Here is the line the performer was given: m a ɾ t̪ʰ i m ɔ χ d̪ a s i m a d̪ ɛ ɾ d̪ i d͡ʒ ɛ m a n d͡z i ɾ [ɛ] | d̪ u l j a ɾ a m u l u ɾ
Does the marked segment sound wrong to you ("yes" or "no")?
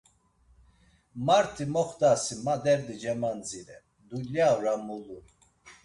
no